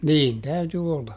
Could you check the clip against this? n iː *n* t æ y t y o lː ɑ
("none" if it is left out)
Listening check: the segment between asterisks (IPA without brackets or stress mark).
n